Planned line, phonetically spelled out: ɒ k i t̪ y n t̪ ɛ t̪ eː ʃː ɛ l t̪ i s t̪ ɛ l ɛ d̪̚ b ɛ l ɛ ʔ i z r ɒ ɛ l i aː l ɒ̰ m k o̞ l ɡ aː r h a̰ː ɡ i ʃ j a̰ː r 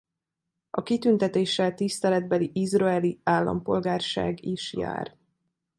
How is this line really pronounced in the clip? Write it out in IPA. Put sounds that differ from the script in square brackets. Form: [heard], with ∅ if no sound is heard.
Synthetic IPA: ɒ k i t̪ y n t̪ ɛ t̪ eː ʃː ɛ l t̪ i s t̪ ɛ l ɛ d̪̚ b ɛ l [i] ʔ i z r ɒ ɛ l i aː [lː] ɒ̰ m [p] o̞ l ɡ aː r [ʃ] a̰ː ɡ i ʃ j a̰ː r